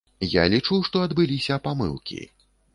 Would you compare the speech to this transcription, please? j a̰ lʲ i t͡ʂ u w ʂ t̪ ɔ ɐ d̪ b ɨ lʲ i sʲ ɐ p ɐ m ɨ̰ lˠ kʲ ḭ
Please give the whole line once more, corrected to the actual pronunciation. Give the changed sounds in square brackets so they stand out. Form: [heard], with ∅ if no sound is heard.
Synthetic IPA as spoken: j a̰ lʲ i t͡ʂ u w ʂ t̪ ɔ ɐ d̪ b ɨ lʲ i sʲ ɐ p [a] m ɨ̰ lˠ kʲ ḭ